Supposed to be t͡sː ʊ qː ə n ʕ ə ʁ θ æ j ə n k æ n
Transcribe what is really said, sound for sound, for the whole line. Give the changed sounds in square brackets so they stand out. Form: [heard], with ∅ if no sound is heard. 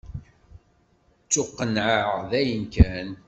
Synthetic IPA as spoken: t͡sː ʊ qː ə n ʕ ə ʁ [ð] æ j ə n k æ n